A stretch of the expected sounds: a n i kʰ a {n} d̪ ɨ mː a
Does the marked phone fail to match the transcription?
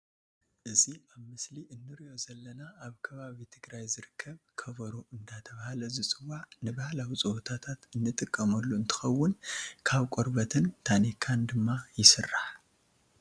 no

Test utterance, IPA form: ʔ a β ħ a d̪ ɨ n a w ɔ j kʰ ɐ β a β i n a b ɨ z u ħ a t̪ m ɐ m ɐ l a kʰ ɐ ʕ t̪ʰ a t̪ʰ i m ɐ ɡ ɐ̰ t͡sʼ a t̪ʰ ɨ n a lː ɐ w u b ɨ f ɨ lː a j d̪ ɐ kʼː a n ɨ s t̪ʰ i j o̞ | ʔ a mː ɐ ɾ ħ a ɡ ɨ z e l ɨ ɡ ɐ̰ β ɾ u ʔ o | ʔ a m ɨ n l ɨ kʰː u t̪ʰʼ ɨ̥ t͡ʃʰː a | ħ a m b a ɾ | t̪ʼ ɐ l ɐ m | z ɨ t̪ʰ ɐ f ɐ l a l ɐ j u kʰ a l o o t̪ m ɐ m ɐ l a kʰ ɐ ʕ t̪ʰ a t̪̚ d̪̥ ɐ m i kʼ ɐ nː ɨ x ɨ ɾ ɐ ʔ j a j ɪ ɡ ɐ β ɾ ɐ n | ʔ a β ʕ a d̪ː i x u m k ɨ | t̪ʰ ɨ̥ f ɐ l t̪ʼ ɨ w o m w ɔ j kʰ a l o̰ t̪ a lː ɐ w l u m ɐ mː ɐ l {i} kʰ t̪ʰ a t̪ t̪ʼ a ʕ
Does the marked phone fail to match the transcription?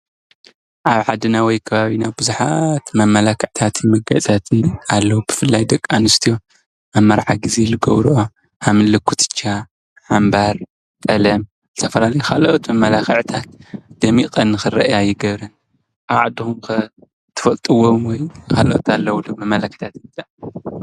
yes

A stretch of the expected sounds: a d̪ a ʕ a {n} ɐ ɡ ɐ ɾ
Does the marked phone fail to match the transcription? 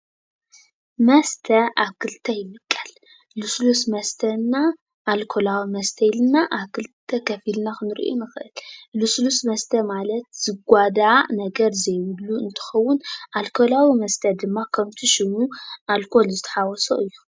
no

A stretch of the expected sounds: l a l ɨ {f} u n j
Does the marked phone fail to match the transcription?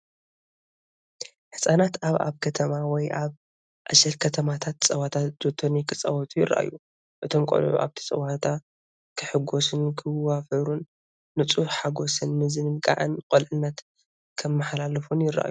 no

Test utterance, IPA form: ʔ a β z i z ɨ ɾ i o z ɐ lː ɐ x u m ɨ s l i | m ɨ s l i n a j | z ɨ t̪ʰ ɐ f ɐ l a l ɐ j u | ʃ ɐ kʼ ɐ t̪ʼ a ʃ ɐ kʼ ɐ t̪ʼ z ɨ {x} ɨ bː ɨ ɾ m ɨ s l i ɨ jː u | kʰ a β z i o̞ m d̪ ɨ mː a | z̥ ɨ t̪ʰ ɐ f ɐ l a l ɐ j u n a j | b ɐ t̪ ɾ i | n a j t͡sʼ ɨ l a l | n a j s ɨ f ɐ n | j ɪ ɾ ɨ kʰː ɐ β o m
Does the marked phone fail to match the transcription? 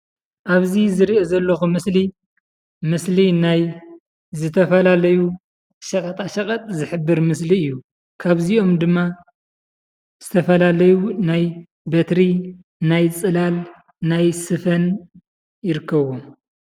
yes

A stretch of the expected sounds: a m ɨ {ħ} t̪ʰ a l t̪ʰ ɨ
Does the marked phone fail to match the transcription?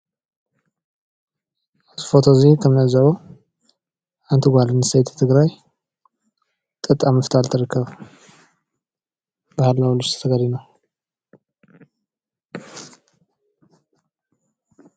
yes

